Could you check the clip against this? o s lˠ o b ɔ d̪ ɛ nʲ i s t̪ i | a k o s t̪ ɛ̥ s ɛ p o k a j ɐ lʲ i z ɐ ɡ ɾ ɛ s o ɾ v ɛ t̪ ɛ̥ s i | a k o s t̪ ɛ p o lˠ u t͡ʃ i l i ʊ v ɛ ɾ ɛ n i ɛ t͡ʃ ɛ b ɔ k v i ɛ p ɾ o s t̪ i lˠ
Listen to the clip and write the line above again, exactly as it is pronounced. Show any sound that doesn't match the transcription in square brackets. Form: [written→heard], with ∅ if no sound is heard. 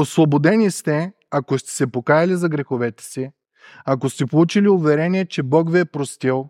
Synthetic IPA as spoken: o s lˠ o b [ɔ→o] d̪ ɛ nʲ i s t̪ [i→ɛ] | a k o s t̪ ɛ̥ s ɛ p o k a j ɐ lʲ i z ɐ ɡ ɾ ɛ [s→x] o [ɾ→∅] v ɛ t̪ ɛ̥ s i | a k o s t̪ ɛ p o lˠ u t͡ʃ i l i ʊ v ɛ ɾ ɛ n i ɛ t͡ʃ ɛ b ɔ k v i ɛ p ɾ o s t̪ i lˠ